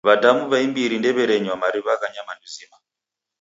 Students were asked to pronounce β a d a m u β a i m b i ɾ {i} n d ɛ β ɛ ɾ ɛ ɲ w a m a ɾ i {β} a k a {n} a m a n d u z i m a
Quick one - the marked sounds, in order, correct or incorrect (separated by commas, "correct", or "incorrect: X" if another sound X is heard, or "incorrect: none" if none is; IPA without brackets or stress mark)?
correct, correct, incorrect: ɲ